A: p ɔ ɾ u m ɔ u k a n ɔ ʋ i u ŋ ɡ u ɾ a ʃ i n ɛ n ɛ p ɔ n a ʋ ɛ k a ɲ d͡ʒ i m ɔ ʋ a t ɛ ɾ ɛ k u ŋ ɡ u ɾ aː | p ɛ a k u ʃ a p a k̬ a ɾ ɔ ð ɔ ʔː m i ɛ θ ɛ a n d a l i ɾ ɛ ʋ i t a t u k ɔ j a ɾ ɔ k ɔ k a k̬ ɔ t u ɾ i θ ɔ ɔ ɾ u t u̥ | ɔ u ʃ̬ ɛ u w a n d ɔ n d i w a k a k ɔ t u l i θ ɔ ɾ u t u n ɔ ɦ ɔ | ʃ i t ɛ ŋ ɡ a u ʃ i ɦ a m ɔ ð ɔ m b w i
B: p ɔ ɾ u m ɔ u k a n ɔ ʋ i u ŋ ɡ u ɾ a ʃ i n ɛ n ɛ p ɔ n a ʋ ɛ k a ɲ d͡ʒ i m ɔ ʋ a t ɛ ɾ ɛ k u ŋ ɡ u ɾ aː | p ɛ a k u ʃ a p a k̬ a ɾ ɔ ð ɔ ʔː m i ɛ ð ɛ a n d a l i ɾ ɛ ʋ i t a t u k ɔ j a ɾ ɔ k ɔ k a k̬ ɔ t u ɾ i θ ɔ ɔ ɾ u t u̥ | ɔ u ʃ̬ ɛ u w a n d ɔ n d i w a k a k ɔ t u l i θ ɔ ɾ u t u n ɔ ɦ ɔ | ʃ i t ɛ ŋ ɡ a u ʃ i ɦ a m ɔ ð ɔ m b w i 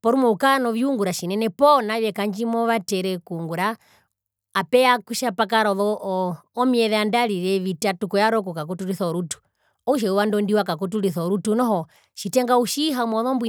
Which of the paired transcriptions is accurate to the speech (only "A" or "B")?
B